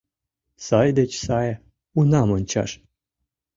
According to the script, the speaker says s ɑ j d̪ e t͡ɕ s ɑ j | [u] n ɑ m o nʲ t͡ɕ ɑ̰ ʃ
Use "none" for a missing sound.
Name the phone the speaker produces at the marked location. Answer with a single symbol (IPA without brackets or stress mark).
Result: u